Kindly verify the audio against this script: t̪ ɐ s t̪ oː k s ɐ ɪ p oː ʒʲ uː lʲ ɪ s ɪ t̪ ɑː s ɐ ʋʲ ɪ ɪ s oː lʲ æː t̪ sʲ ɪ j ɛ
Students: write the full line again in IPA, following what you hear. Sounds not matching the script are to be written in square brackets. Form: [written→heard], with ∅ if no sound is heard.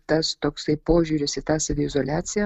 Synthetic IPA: t̪ ɐ s t̪ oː k s ɐ ɪ p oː ʒʲ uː [lʲ→ɾʲ] ɪ s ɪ t̪ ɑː s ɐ ʋʲ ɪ ɪ [s→z] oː lʲ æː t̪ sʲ ɪ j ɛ